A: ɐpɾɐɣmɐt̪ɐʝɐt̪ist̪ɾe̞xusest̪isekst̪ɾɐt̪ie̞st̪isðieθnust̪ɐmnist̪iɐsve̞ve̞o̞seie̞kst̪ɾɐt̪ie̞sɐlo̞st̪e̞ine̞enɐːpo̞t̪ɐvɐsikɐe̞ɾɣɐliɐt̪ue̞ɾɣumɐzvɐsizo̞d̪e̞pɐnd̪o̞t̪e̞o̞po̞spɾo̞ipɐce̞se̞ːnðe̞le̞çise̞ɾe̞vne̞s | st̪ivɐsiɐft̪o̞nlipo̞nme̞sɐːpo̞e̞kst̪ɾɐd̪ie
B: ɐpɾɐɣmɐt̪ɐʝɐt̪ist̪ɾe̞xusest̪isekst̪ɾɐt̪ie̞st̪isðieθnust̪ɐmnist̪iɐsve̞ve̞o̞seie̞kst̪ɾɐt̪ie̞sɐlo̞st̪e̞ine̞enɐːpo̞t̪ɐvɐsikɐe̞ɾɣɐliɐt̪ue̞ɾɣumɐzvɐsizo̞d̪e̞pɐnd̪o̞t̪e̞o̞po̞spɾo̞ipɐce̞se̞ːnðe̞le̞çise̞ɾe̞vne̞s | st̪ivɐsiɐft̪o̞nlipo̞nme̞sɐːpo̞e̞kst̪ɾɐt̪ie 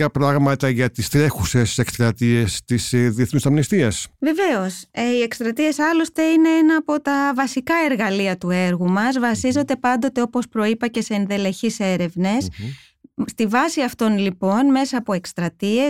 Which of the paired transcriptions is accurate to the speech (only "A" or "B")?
B